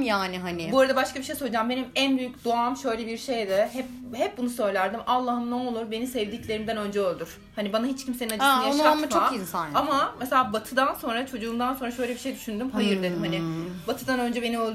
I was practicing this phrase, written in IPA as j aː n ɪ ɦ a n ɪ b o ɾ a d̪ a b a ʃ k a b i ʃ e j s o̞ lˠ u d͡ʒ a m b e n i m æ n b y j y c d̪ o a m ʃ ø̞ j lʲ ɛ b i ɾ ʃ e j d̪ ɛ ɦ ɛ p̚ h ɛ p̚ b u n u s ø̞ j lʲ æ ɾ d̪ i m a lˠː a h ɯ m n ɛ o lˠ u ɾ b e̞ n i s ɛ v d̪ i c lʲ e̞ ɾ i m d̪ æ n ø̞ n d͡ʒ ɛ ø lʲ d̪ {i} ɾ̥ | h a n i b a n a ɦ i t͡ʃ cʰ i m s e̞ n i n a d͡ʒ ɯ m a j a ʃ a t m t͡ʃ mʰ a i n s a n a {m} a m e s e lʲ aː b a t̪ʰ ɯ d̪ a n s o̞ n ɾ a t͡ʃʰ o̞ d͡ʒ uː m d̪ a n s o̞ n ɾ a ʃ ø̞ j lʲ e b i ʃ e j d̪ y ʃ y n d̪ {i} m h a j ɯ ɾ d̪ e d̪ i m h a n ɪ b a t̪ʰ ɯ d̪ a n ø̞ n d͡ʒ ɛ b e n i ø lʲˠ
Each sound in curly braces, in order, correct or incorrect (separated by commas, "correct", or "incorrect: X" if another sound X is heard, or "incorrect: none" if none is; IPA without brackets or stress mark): incorrect: y, correct, incorrect: y